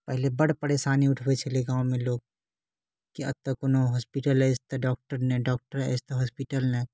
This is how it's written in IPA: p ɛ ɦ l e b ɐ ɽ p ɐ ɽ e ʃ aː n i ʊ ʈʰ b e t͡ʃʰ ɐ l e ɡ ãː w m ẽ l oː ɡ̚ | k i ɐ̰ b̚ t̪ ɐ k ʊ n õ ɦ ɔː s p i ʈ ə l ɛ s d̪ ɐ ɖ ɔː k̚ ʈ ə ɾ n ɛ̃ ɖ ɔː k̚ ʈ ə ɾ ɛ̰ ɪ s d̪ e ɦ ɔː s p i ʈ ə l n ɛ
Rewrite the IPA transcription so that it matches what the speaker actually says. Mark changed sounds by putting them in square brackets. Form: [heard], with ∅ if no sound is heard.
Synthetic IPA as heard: p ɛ ɦ l e b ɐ ɽ p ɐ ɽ e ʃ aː n i ʊ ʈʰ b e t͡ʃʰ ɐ l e ɡ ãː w m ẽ l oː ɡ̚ | k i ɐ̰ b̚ t̪ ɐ k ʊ n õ ɦ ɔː s p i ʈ ə l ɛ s [t̪] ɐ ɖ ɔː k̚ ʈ ə ɾ n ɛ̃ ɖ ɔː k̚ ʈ ə ɾ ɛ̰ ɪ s [t̪] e ɦ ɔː s p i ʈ ə l n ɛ